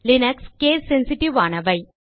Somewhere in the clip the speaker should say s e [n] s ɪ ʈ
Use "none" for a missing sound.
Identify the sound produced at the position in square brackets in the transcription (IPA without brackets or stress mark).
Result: n